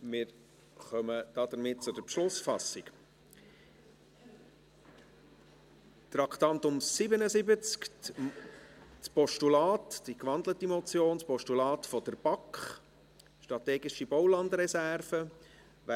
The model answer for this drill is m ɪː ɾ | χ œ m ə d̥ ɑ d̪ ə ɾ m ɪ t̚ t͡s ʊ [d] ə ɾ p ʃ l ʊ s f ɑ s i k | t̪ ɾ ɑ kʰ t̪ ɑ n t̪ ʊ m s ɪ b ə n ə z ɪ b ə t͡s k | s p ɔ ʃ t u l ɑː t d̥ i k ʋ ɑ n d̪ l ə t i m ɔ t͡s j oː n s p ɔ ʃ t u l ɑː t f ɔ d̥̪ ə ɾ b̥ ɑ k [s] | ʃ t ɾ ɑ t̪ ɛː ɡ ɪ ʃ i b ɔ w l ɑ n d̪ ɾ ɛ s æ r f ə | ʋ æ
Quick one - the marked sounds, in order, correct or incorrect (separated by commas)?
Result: correct, incorrect